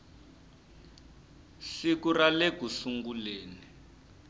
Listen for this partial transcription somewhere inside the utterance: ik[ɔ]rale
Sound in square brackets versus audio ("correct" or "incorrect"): incorrect